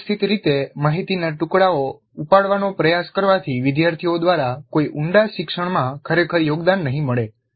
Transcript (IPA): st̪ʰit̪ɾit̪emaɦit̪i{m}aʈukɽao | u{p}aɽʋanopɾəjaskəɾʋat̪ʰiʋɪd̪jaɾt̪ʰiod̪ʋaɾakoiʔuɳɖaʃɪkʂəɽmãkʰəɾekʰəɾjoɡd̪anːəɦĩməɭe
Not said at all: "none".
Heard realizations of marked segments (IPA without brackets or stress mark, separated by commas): n, p